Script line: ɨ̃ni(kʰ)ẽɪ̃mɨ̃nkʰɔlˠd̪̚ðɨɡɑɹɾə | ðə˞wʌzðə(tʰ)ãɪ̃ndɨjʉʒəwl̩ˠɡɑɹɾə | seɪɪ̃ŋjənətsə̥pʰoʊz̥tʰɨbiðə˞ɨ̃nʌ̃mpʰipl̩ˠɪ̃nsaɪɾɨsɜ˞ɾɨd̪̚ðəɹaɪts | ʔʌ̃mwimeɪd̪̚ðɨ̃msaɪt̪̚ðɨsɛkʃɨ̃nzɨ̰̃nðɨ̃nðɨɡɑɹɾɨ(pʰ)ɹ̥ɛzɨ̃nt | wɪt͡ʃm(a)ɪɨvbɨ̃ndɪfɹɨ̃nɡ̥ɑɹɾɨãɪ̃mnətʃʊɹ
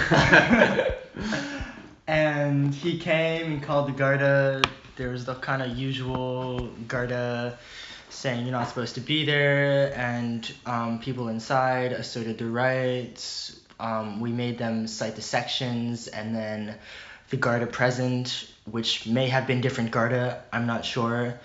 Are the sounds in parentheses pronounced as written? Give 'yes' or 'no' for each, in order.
yes, no, yes, no

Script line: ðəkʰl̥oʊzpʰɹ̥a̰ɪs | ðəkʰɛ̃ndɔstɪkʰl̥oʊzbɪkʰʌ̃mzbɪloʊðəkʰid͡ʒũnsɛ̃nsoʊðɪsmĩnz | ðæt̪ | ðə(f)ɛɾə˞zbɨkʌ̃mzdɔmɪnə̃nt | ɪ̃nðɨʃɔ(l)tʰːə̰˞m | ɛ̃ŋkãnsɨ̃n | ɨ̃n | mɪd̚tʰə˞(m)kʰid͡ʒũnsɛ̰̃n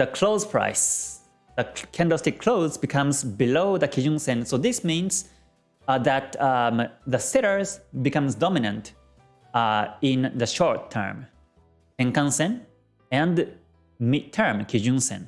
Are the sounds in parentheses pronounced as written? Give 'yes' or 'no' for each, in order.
no, no, yes

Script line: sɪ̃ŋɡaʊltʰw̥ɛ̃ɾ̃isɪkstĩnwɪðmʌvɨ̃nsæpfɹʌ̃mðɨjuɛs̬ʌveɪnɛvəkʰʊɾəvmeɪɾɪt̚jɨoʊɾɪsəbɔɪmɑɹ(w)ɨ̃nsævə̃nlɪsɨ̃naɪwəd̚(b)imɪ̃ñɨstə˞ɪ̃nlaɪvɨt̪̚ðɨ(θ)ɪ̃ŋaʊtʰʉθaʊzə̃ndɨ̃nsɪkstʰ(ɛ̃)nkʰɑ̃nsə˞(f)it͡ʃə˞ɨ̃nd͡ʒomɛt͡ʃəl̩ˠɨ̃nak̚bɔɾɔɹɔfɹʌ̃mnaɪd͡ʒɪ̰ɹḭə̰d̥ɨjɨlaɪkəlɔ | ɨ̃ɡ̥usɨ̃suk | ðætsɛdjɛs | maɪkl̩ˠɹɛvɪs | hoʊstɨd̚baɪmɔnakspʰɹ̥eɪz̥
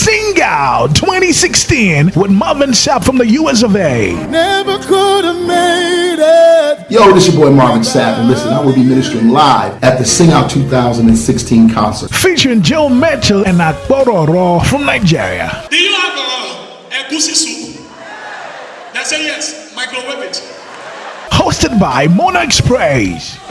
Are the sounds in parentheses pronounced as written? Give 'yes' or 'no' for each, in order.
no, yes, no, no, yes

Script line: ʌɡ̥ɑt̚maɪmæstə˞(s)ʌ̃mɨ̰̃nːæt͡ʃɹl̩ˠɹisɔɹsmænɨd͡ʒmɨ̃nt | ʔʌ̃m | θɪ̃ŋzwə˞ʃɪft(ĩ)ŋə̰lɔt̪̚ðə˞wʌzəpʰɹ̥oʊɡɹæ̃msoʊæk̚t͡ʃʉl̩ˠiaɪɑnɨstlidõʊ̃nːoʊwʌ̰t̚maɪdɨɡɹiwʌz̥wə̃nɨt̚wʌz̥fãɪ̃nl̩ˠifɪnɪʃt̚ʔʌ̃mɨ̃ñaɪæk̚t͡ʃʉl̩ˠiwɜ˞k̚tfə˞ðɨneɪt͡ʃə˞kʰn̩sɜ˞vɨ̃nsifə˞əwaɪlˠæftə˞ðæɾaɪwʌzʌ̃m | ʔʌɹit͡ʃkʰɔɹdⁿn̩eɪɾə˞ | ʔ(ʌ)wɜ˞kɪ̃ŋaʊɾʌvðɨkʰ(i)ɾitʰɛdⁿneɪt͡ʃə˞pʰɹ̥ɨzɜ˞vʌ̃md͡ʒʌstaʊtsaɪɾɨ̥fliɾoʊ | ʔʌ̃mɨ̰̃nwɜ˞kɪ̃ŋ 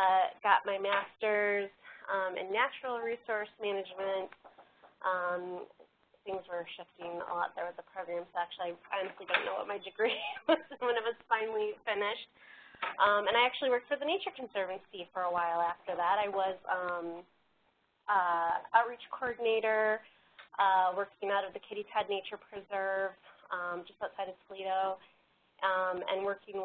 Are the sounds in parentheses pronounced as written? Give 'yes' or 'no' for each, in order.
no, no, yes, no

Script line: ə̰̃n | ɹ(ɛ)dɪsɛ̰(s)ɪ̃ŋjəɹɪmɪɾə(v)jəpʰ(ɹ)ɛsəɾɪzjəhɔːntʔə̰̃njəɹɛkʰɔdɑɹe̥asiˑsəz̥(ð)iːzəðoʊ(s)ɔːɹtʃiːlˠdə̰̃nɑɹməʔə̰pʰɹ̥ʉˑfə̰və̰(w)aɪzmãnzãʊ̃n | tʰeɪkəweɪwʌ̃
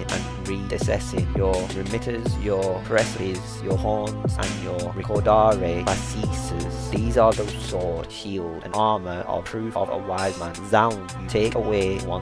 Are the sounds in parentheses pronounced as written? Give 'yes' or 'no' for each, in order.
no, yes, no, yes, yes, yes, yes

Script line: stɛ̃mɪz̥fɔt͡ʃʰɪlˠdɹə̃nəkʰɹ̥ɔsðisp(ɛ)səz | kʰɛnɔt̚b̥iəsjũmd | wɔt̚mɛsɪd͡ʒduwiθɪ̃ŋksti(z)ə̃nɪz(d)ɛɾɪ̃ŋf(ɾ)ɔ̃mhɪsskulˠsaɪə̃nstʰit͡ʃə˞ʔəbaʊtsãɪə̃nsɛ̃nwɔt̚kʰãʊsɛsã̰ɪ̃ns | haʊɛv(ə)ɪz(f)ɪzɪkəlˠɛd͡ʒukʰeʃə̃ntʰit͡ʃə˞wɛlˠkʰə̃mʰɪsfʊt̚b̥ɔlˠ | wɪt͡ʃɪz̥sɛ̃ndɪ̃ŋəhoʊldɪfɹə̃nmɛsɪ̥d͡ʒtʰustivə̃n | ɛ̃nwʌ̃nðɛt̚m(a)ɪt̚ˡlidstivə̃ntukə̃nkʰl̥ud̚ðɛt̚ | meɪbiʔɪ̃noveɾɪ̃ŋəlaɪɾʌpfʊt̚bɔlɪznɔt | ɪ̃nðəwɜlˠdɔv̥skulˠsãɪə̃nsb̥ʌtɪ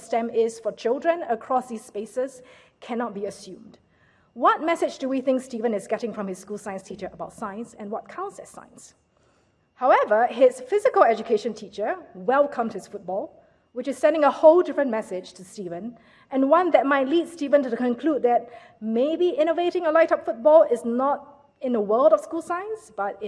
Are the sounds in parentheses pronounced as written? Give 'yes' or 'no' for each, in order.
no, no, no, no, yes, yes, yes

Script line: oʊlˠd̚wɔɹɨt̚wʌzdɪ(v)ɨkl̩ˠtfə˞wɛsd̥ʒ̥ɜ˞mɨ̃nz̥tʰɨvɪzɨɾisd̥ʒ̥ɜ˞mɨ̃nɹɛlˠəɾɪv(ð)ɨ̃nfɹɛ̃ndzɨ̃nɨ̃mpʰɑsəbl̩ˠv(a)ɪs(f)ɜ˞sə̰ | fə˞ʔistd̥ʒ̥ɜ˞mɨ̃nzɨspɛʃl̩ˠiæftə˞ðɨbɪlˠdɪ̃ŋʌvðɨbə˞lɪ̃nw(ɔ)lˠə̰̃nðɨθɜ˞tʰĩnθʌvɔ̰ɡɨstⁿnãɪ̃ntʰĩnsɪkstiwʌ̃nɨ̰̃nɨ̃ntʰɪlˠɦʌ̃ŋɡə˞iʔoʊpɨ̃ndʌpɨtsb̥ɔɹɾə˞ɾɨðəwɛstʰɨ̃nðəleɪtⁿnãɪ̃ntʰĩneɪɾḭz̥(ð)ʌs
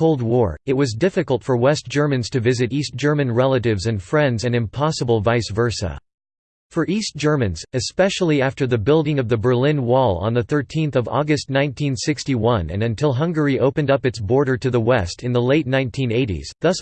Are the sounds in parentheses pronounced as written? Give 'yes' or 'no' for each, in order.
no, no, yes, no, yes, yes

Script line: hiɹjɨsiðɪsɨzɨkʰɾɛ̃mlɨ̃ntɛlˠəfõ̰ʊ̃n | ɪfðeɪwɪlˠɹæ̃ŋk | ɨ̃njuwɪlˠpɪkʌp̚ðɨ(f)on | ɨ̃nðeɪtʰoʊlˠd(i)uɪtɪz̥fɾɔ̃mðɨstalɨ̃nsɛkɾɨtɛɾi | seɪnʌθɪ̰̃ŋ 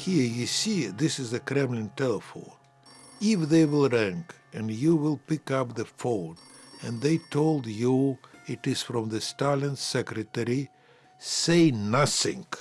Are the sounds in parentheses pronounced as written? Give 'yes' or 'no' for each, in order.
yes, no

